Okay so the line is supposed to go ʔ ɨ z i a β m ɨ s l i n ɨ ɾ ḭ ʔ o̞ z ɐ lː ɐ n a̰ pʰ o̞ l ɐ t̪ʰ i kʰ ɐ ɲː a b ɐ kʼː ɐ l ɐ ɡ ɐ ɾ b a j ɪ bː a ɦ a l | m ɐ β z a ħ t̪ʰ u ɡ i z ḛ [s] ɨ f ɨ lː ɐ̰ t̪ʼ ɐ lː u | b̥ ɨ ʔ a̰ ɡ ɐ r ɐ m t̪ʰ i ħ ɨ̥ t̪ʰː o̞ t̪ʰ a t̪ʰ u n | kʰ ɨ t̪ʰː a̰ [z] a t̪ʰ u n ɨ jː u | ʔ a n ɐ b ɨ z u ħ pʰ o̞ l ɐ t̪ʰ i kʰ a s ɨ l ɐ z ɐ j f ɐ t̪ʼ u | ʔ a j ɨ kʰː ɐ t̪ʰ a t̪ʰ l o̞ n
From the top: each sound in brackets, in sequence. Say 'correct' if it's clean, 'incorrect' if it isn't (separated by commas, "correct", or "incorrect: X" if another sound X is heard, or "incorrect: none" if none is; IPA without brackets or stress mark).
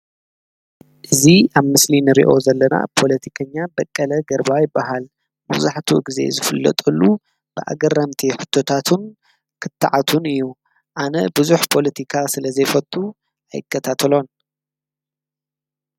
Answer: incorrect: z, incorrect: ʕ